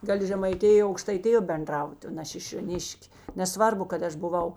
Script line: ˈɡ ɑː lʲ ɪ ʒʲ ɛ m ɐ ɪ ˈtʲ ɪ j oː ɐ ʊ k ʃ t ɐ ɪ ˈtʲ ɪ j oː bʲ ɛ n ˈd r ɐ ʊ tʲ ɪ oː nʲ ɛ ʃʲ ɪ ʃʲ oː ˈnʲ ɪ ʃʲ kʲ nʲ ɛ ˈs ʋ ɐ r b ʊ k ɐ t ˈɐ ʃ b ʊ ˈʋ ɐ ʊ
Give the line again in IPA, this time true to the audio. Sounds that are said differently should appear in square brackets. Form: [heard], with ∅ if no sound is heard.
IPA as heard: ˈɡ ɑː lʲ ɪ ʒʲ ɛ m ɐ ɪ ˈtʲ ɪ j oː ɐ ʊ k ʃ t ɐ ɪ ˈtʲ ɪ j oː bʲ ɛ n ˈd r ɐ ʊ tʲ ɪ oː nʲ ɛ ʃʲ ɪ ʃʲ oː ˈnʲ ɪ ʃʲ kʲ nʲ ɛ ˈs ʋ ɐ r b ʊ k ɐ t ˈɐ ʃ b ʊ ˈʋ ɐ ʊ